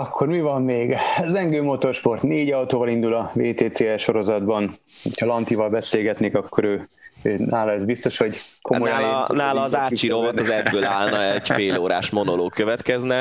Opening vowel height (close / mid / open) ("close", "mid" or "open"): open